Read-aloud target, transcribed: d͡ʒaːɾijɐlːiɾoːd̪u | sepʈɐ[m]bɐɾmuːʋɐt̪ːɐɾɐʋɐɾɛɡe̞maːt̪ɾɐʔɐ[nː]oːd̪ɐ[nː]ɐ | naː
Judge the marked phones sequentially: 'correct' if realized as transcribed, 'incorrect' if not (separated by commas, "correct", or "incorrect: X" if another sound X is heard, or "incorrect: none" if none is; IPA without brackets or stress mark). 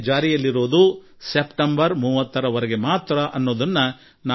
correct, correct, correct